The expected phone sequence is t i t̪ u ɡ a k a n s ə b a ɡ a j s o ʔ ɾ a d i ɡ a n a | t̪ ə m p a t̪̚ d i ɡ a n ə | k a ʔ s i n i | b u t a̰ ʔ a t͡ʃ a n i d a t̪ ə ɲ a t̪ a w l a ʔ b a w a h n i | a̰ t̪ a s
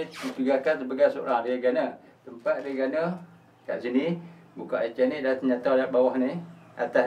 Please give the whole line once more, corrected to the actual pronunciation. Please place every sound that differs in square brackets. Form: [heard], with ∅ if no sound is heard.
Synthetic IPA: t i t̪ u ɡ a k a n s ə b a ɡ a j s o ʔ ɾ a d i ɡ a n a | t̪ ə m p a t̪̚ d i ɡ a n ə | k a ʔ s i n i | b u [k] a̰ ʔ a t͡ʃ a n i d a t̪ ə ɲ a t̪ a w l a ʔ b a w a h n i | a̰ t̪ a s